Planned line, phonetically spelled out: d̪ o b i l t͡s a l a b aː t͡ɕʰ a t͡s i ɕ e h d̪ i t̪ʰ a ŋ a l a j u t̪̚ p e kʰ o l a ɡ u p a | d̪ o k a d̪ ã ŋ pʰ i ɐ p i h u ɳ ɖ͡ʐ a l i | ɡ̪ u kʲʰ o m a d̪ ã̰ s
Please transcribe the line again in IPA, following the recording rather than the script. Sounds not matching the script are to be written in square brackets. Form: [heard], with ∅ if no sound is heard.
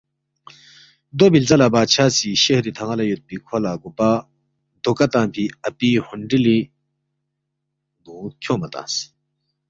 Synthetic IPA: d̪ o b i l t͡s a l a b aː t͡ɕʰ a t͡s i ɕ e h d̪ i t̪ʰ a ŋ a l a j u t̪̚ p [i] kʰ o l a ɡ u p a | d̪ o k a [t̪] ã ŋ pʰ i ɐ p i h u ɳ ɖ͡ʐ [i] l i | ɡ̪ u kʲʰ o m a [t̪] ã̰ s

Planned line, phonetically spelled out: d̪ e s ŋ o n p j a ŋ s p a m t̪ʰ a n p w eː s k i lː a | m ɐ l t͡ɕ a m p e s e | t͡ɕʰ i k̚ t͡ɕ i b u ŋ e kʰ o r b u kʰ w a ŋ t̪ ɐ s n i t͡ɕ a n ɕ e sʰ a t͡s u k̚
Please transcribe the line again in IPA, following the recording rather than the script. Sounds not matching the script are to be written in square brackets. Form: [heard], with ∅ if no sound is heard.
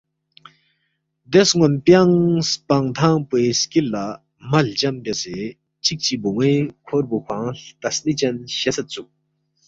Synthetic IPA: d̪ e s ŋ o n p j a ŋ s p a [ŋ] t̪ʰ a [ŋ] p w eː s k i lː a | m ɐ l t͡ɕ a m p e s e | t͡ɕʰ i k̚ t͡ɕ i b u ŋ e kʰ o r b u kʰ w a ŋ t̪ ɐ s n i t͡ɕ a n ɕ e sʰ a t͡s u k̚

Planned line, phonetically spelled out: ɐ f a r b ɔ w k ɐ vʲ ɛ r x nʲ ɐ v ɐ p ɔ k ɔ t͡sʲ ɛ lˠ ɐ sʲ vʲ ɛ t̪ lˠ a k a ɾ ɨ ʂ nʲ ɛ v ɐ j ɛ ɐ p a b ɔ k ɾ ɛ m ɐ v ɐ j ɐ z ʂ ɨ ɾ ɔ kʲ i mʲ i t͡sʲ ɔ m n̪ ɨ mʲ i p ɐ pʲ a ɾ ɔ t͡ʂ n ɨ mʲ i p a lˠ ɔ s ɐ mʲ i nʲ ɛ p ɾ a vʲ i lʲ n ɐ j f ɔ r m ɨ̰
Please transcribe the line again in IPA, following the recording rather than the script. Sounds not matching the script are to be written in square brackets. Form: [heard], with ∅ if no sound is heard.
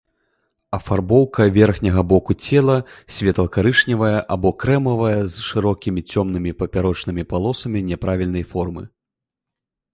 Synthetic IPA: ɐ f a r b ɔ w k ɐ vʲ ɛ r x nʲ ɐ [ɣ] ɐ [b] ɔ k [u] t͡sʲ ɛ lˠ ɐ sʲ vʲ ɛ t̪ lˠ [ɐ] k a ɾ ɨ ʂ nʲ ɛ v ɐ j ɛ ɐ [ʔ] a b ɔ k ɾ ɛ m ɐ v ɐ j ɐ z ʂ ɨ ɾ ɔ kʲ i mʲ i t͡sʲ ɔ m n̪ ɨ mʲ i p ɐ pʲ a ɾ ɔ t͡ʂ n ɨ mʲ i p a lˠ ɔ s ɐ mʲ i nʲ ɛ p ɾ a vʲ i lʲ n ɐ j f ɔ r m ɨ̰

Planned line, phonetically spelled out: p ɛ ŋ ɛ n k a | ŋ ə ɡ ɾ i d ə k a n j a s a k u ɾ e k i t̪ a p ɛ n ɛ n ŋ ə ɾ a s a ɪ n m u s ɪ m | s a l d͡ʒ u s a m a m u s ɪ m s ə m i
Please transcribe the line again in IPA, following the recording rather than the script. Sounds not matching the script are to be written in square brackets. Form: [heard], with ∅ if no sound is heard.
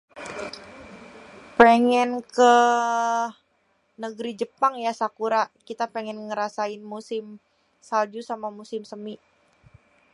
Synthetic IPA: p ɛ ŋ ɛ n k [ə] | [n] ə ɡ ɾ i [d͡ʒ] ə [p] a [ŋ] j a s a k u ɾ [a] k i t̪ a p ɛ [ŋ] ɛ n ŋ ə ɾ a s a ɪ n m u s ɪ m | s a l d͡ʒ u s a m a m u s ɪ m s ə m i

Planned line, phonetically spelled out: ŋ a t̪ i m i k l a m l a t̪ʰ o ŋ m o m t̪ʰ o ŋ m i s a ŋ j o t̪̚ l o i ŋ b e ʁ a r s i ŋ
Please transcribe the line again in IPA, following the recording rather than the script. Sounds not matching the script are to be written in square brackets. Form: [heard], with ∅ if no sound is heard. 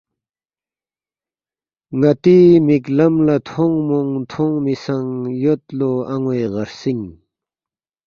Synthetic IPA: ŋ a t̪ i m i k l a m l a t̪ʰ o ŋ m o [ŋ] t̪ʰ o ŋ m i s a ŋ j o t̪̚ l o [a] ŋ [w] e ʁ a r s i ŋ

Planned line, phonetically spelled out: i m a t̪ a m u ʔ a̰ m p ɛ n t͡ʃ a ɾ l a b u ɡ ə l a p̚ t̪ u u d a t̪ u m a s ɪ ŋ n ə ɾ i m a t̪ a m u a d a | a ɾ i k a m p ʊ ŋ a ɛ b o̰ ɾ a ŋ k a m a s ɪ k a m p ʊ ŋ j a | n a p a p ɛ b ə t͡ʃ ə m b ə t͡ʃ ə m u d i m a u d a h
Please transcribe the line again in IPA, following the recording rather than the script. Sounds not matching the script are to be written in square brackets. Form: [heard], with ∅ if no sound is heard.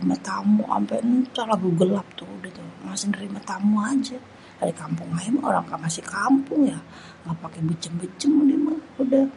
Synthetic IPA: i m a t̪ a m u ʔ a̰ m p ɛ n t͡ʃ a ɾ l a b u ɡ ə l a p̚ t̪ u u d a t̪ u m a s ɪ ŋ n ə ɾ i m a t̪ a m u a [d͡ʒ] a | a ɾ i k a m p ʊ ŋ a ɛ [m] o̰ ɾ a ŋ k a m a s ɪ k a m p ʊ ŋ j a | [ŋ] a p a [k] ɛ b ə t͡ʃ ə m b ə t͡ʃ ə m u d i m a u d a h

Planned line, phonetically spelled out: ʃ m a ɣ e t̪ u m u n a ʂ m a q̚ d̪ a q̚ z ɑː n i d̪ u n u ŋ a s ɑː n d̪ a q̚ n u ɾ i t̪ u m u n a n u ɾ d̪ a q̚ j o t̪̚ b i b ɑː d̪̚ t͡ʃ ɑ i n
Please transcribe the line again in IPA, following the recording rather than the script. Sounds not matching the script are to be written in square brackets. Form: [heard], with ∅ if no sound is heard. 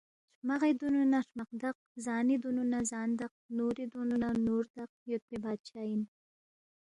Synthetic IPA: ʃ m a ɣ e [d̪] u [n] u n a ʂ m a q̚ d̪ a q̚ z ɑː n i d̪ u n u [n] a [z] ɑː n d̪ a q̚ n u ɾ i [d̪] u [n] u n a n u ɾ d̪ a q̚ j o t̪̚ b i b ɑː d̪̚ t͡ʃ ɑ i n

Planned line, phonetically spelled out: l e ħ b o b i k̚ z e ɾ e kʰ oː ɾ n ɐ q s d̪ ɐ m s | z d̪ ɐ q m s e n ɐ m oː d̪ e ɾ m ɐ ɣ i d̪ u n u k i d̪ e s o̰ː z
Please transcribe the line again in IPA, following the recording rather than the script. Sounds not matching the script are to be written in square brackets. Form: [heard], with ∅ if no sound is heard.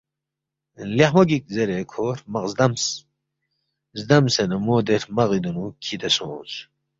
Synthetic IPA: l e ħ [m] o [ɡ] i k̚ z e ɾ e kʰ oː ɾ [m] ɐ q [z] d̪ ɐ m s | z d̪ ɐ [∅] m s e n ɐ m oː d̪ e ɾ m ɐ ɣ i d̪ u n u [kʰ] i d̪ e s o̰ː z

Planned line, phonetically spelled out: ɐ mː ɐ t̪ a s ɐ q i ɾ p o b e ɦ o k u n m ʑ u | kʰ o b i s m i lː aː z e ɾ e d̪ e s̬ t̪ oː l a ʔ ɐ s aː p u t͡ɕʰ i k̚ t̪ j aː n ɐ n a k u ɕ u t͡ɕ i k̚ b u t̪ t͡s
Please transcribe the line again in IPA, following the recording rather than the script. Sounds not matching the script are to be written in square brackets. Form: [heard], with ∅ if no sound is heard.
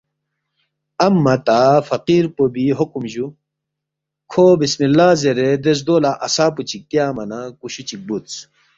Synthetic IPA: ɐ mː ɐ t̪ a [f] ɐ q i ɾ p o b [i] ɦ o k u [∅] m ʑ u | kʰ o b i s m i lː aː z e ɾ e d̪ e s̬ [d̪] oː l a ʔ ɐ s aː p u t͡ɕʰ i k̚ t̪ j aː [m] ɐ n a k u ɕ u t͡ɕ i k̚ b u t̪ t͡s

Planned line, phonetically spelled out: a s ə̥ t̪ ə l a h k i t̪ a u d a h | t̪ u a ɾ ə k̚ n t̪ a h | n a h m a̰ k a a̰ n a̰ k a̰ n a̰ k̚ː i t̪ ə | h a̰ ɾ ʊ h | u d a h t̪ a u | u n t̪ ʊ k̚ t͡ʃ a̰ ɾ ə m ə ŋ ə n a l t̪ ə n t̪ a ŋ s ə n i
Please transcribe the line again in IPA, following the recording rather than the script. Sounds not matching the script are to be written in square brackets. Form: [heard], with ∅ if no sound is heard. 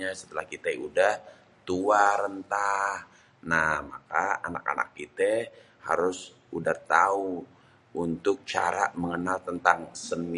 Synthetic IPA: a s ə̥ t̪ ə l a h k i t̪ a u d a h | t̪ u a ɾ ə [∅] n t̪ a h | n a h m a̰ k a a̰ n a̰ k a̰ n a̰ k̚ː i t̪ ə | h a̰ ɾ ʊ [s] | u d a h t̪ a u | u n t̪ ʊ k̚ t͡ʃ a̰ ɾ [a] m ə ŋ ə n a l t̪ ə n t̪ a ŋ s ə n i

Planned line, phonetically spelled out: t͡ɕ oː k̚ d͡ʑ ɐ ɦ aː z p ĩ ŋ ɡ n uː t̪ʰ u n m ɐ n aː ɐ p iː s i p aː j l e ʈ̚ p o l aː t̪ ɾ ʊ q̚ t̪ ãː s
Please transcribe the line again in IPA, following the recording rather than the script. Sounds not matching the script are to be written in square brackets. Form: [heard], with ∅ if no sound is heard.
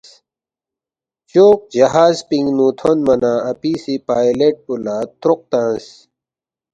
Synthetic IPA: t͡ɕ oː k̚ d͡ʑ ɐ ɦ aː z p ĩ ŋ ɡ n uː t̪ʰ [o] n m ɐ n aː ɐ p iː s i p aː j l e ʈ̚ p [u] l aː t̪ ɾ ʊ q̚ t̪ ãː s

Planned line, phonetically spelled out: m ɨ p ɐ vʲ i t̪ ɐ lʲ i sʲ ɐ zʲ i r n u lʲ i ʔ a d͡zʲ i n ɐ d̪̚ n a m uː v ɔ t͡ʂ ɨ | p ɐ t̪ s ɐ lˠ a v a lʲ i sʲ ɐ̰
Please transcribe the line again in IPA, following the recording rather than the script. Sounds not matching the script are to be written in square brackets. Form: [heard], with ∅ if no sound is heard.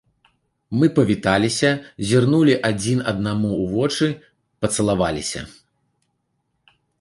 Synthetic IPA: m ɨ p ɐ vʲ i t̪ [a] lʲ i sʲ ɐ zʲ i r n u lʲ i ʔ a d͡zʲ i n ɐ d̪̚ n a m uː v ɔ t͡ʂ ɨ | p ɐ t̪ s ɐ lˠ a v a lʲ i sʲ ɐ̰

